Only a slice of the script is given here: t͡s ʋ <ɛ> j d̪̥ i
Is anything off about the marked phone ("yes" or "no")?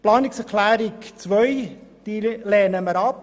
yes